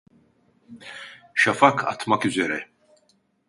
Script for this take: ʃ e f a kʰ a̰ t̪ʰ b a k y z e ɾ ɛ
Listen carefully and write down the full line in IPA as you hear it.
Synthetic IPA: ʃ a f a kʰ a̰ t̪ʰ m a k y z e ɾ ɛ